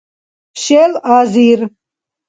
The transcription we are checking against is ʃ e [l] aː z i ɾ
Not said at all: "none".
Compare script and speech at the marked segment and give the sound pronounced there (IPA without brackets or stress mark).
l